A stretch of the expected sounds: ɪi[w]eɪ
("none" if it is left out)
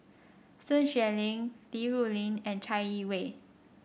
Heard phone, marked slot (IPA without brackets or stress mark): w